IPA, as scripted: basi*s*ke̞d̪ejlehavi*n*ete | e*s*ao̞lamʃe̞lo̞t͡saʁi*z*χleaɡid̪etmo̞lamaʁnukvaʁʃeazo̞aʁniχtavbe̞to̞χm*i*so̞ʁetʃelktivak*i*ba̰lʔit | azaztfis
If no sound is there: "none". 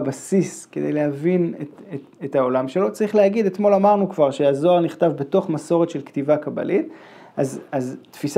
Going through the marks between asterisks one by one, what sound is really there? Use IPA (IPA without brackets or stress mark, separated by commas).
s, n, t, none, a, a